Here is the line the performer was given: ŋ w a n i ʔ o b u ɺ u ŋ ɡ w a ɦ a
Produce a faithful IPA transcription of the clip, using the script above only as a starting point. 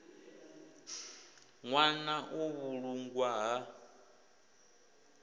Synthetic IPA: ŋ w a n a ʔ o β u ɺ u ŋ ɡ w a ɦ a